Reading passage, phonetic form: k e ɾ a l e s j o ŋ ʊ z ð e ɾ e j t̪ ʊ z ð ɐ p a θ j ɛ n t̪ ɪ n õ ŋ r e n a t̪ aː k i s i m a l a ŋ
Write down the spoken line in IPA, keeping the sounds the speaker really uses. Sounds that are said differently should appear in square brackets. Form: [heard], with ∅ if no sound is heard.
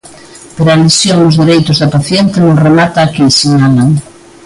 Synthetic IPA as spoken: [p] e ɾ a l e s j o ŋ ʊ z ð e ɾ e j t̪ ʊ z ð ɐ p a θ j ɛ n t̪ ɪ n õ ŋ r e [m] a t̪ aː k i s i [ɲ] a l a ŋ